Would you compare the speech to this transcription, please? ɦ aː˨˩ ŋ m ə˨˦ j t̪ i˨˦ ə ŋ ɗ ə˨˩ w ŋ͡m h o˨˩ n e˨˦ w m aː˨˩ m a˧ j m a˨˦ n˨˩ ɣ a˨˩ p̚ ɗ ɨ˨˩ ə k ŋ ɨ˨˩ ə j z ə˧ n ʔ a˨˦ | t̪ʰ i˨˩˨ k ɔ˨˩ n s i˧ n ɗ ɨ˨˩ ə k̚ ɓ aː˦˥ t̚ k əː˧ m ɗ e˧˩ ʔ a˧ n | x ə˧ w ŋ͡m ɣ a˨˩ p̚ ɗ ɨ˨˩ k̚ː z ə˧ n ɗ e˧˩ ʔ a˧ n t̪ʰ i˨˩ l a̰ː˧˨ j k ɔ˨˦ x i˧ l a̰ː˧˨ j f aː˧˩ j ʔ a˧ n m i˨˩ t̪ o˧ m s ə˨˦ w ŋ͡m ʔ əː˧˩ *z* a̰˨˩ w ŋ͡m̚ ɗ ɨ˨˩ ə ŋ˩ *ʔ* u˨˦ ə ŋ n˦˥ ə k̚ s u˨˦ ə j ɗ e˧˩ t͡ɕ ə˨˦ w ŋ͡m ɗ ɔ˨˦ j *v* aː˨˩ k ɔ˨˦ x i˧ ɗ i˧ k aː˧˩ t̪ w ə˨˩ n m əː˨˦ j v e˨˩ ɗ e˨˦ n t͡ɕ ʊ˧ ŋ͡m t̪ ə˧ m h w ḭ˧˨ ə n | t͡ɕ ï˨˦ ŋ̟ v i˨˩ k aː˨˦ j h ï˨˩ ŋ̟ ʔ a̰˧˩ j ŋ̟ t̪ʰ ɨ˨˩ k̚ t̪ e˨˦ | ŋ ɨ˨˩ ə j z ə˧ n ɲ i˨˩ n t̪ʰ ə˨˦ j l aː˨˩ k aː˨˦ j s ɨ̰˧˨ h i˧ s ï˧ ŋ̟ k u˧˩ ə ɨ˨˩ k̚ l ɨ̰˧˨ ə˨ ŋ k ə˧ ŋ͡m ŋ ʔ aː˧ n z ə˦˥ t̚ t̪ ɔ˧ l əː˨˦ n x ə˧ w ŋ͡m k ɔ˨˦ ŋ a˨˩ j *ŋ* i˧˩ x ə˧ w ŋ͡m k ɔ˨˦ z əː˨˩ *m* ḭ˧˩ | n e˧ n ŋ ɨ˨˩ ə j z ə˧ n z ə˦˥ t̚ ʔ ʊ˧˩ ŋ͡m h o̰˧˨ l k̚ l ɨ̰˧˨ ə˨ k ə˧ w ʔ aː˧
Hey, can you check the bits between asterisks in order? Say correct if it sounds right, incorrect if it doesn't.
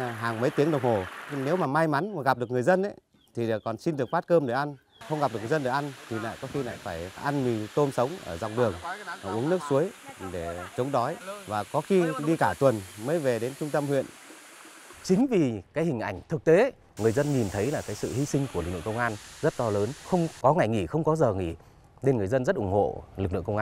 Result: correct, correct, correct, correct, incorrect: ŋ

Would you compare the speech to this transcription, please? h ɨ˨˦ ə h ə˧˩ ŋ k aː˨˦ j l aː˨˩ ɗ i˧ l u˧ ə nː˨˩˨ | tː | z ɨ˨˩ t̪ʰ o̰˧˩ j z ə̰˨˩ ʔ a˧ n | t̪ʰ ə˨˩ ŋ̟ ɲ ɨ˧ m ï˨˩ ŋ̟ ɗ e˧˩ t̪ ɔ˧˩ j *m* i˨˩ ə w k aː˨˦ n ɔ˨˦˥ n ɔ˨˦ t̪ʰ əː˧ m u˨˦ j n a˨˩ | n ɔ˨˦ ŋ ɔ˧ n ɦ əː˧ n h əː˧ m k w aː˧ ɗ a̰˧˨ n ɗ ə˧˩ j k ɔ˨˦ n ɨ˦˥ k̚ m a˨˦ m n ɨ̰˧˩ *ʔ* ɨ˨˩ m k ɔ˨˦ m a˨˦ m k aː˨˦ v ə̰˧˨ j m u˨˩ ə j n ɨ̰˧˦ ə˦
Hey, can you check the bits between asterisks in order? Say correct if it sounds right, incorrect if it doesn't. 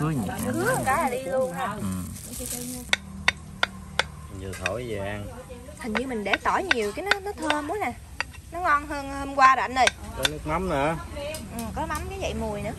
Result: incorrect: ɲ, correct

